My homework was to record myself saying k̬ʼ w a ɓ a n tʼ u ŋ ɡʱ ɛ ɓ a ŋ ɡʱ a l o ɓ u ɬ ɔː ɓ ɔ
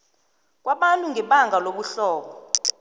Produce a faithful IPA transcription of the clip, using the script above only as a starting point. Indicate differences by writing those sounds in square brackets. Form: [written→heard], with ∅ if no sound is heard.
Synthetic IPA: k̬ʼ w a ɓ a n tʼ u ŋ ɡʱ ɛ ɓ a ŋ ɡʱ a l o ɓ u ɬ ɔː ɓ ɔ